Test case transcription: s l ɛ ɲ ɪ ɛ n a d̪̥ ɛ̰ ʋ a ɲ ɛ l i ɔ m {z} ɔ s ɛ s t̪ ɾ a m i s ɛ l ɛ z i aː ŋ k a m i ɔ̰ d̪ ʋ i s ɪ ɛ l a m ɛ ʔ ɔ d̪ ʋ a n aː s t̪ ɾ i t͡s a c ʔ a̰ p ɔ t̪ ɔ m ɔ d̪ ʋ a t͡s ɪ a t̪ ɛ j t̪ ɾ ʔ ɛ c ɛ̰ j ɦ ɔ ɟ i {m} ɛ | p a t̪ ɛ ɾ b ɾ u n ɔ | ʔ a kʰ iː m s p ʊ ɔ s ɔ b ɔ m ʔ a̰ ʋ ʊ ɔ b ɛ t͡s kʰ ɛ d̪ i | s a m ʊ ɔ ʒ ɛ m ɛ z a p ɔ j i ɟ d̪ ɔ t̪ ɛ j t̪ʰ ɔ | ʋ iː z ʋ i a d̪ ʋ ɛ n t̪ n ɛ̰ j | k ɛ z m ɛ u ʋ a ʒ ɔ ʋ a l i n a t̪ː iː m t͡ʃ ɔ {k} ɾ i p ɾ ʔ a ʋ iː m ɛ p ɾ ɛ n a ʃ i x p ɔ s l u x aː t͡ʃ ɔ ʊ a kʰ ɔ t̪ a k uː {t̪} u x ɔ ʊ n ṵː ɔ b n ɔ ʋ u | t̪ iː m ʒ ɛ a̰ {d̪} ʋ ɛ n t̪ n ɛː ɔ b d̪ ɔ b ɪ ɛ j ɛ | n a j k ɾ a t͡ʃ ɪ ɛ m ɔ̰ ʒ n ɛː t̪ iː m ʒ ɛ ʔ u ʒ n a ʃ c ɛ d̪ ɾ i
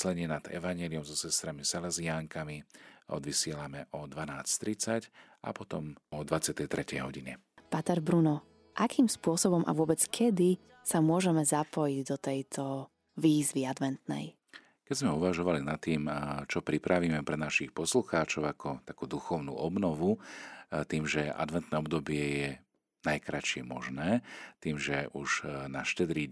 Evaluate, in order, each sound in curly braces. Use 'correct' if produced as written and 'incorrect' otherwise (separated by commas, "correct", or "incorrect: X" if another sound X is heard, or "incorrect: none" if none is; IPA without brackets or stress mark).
correct, incorrect: ɲ, incorrect: p, incorrect: d̪, correct